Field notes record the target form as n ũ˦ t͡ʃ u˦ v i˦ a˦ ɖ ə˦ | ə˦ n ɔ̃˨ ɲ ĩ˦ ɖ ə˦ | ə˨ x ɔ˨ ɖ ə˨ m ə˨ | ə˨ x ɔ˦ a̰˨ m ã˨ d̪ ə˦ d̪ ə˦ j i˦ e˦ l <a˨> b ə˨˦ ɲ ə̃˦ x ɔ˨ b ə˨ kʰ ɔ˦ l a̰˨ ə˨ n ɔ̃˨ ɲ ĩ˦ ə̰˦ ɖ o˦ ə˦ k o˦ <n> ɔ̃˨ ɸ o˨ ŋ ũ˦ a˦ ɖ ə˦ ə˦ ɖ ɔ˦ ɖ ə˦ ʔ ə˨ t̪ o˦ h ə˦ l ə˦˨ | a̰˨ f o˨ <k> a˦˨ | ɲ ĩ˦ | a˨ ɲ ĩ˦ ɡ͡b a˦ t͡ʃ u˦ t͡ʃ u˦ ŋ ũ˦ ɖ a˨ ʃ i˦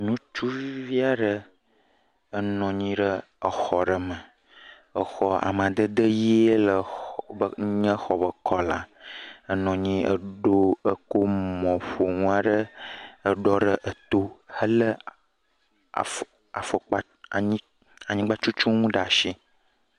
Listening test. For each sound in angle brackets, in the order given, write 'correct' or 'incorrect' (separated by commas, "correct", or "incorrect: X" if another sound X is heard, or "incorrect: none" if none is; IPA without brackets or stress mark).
incorrect: ə˨, incorrect: m, incorrect: k͡p